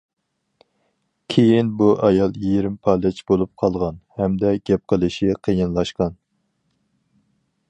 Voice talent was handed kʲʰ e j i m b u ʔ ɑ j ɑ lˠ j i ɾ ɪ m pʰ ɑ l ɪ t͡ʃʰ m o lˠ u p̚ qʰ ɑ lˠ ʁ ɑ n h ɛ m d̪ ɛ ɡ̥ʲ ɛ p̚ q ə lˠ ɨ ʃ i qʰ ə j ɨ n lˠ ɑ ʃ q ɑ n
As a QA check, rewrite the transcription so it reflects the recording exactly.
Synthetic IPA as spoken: kʲʰ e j i n b u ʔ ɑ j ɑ lˠ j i ɾ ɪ m pʰ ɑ l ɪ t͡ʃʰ b o lˠ u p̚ qʰ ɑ lˠ ʁ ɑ n h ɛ m d̪ ɛ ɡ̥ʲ ɛ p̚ q ə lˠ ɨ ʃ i qʰ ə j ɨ n lˠ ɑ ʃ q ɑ n